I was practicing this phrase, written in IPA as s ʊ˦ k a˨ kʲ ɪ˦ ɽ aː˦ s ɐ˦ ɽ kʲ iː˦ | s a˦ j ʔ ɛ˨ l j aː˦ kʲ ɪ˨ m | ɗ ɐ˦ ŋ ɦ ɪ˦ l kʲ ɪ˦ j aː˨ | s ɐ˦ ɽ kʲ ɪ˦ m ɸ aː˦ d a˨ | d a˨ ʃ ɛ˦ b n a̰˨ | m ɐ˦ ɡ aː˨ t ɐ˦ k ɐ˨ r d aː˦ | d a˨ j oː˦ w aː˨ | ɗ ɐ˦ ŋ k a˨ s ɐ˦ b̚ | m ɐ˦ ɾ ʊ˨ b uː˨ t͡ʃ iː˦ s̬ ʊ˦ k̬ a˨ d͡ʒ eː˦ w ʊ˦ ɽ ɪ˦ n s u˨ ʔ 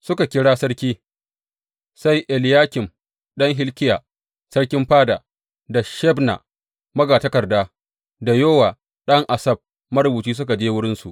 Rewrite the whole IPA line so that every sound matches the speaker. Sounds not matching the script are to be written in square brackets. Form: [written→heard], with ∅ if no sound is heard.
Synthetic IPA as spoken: s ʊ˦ k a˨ kʲ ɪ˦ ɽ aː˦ s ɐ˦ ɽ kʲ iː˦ | s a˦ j ʔ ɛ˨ l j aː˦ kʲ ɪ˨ m | ɗ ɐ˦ ŋ ɦ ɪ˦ l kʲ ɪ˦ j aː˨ | s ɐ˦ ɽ kʲ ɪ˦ m ɸ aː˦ d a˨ | d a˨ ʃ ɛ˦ b n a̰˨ | m ɐ˦ ɡ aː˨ t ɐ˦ k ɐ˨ r d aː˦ | d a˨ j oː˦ w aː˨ | ɗ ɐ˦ ŋ [k→ʔ] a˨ s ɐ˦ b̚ | m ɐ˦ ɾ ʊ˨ b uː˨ t͡ʃ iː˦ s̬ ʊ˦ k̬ a˨ d͡ʒ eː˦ w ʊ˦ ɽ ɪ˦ n s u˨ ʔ